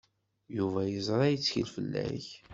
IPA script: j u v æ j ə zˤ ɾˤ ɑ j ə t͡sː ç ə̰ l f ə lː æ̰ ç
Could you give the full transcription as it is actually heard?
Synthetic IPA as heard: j u v æ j ə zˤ ɾˤ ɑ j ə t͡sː ç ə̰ l f ə lː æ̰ ç